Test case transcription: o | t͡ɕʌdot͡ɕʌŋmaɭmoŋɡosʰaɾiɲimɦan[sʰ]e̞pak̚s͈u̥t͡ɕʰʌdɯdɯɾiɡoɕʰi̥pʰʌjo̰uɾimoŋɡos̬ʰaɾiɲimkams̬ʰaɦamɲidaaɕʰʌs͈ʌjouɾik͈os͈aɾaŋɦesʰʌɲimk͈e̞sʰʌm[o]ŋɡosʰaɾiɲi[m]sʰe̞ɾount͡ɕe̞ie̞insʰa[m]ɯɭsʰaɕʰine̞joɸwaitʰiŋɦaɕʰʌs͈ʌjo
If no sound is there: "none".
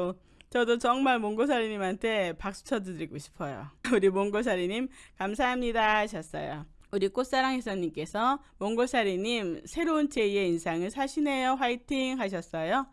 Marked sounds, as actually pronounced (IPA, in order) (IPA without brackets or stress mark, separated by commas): tʰ, o, m, ŋ